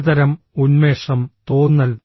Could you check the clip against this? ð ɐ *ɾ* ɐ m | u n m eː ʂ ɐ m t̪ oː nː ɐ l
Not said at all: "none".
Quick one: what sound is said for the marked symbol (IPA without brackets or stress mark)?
ɾ